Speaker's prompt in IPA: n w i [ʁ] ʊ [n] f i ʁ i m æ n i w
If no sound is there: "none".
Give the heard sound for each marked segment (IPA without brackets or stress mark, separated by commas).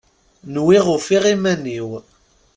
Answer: ʁ, none